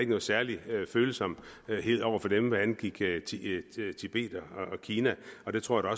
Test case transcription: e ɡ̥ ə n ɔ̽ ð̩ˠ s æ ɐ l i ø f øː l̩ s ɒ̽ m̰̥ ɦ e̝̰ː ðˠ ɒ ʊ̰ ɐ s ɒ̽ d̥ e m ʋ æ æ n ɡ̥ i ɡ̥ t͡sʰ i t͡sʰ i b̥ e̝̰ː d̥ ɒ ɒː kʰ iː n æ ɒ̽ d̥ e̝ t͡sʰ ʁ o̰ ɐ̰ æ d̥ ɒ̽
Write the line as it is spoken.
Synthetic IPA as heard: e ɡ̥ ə n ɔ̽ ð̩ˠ s æ ɐ l i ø f øː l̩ s ɒ̽ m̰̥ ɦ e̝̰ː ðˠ ɒ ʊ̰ ɐ f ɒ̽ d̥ e m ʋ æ æ n ɡ̥ i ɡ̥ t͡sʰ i t͡sʰ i b̥ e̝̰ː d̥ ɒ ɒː kʰ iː n æ ɒ̽ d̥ e̝ t͡sʰ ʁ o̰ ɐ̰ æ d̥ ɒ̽